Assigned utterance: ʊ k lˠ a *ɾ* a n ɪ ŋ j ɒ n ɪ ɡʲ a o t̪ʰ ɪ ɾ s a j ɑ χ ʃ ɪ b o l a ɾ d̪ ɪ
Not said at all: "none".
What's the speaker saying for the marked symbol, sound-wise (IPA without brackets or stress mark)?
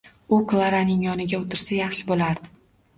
ɾ